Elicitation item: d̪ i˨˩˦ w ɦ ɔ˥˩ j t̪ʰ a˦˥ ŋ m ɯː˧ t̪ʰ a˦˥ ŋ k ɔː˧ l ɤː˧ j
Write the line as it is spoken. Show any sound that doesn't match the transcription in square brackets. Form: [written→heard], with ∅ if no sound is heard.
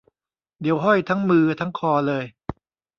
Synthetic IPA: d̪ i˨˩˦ w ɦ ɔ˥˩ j t̪ʰ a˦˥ ŋ m ɯː˧ t̪ʰ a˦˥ ŋ [k→kʰ] ɔː˧ l ɤː˧ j